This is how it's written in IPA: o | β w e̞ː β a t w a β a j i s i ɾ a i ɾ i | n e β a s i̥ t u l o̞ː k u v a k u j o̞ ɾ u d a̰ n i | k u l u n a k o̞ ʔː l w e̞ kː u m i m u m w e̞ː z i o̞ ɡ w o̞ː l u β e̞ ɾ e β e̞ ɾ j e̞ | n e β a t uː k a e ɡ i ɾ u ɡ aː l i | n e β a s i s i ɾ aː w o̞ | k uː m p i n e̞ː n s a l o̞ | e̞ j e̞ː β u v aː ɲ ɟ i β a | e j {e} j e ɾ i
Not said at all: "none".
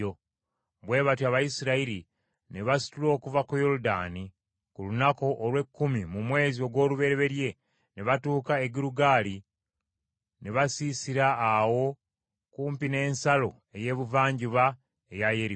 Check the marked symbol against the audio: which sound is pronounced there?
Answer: a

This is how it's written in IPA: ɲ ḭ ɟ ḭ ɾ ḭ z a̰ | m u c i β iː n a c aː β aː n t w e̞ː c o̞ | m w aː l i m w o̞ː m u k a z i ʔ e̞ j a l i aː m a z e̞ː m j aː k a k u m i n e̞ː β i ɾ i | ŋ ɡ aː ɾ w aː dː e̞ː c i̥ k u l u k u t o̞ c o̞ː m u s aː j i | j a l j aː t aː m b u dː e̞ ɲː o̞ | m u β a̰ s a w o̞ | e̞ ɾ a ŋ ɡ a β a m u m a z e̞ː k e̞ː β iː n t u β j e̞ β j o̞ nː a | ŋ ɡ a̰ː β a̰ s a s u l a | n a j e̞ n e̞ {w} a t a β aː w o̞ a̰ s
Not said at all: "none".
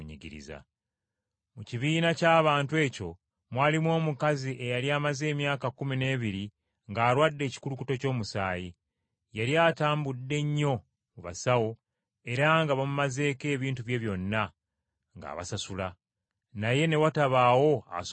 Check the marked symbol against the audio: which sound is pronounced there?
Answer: w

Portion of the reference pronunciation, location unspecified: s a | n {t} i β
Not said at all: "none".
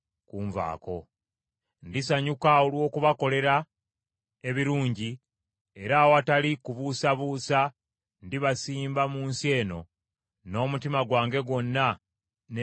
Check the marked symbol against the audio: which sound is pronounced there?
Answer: d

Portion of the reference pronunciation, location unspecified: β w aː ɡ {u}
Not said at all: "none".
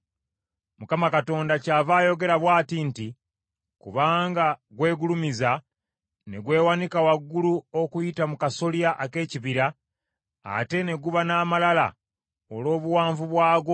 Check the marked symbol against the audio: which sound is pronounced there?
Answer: o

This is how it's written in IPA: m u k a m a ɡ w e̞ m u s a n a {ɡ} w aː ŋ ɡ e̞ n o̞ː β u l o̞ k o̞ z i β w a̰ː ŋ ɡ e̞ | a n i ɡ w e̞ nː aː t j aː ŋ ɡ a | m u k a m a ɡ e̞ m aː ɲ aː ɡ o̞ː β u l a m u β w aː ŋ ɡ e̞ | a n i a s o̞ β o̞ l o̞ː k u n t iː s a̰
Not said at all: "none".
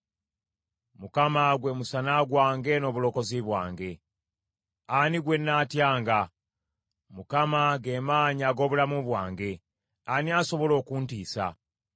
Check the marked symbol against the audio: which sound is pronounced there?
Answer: ɡ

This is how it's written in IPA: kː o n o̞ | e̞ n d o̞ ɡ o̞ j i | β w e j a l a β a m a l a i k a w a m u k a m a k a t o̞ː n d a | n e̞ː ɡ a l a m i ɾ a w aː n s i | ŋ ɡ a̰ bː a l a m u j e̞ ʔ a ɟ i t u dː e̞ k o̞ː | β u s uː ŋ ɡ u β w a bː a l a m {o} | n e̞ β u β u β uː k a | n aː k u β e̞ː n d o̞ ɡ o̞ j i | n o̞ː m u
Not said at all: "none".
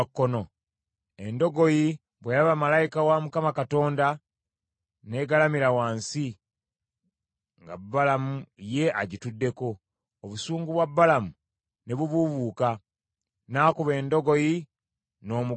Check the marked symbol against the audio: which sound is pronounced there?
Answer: u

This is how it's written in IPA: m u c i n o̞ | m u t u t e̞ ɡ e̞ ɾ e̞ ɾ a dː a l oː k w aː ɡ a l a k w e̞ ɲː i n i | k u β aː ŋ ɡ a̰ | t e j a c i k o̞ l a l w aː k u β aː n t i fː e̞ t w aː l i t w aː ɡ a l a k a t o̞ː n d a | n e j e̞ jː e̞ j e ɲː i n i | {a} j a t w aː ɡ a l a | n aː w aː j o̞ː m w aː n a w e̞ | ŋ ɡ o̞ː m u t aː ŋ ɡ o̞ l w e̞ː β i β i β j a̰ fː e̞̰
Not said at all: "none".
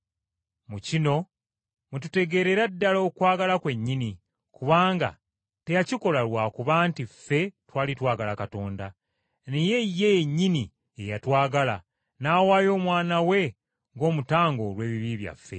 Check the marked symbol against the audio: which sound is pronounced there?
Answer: e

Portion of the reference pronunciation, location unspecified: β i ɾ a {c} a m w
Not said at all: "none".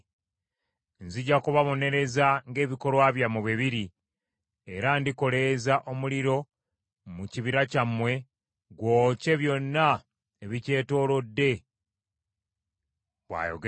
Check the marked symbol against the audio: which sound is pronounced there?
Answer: c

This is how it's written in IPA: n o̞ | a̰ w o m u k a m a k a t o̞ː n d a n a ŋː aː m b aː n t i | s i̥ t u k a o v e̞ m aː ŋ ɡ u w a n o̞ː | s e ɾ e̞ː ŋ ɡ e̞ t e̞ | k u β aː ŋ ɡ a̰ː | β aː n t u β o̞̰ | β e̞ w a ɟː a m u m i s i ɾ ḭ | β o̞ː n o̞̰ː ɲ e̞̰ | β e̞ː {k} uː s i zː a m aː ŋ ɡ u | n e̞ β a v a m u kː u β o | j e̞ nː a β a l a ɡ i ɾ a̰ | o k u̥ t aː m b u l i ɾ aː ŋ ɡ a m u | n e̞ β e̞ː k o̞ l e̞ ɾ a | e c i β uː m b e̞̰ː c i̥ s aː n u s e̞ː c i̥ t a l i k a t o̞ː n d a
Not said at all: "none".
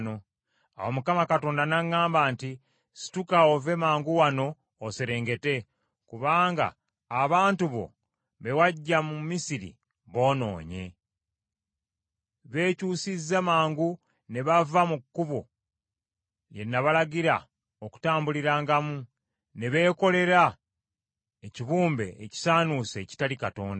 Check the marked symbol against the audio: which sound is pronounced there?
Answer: c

